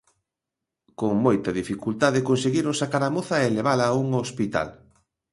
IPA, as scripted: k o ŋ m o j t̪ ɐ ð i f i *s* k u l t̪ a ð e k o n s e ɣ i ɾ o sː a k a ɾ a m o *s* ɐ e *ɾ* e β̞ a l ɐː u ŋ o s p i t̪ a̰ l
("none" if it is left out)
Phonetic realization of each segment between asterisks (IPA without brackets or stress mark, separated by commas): none, θ, l